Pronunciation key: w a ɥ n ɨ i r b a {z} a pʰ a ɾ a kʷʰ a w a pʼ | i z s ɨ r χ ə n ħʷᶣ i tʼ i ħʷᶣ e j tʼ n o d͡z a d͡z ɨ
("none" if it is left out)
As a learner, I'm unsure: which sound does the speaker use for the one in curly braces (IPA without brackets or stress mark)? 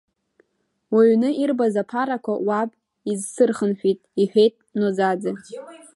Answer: z